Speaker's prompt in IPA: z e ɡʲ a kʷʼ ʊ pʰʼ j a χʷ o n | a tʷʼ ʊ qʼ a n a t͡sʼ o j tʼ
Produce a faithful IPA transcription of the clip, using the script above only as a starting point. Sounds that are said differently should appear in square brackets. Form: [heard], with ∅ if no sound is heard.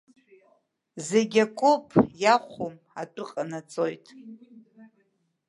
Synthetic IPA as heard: z e ɡʲ a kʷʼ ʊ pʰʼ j a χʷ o [m] | a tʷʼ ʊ qʼ a n a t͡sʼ o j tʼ